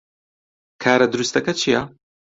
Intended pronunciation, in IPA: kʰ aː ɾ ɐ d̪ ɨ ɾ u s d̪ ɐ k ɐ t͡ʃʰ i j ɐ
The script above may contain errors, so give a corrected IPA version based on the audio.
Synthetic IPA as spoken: kʰ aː ɾ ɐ d̪ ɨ ɾ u s t̪ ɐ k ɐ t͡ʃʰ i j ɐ